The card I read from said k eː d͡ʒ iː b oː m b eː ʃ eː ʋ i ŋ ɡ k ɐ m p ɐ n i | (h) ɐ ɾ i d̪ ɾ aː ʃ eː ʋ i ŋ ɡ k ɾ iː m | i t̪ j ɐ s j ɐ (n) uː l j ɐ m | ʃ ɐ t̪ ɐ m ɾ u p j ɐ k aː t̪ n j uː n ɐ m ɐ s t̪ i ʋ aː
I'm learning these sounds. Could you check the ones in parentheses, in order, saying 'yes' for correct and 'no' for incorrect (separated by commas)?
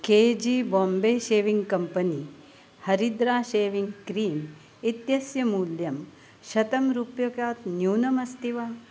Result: yes, no